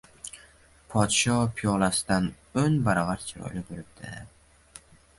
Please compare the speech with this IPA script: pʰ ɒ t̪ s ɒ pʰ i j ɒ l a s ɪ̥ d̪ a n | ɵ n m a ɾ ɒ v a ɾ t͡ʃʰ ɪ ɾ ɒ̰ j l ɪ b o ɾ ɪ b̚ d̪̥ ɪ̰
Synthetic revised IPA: pʰ ɒ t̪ ʃ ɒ pʰ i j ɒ l a s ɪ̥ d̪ a n | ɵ n b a ɾ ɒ v a ɾ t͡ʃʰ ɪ ɾ ɒ̰ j l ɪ b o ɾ ɪ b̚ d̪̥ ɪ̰